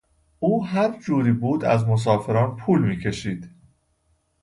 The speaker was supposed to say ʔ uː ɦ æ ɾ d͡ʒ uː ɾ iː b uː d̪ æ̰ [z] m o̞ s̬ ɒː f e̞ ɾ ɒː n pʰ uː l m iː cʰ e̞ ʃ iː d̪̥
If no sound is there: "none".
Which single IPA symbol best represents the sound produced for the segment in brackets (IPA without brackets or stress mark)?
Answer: z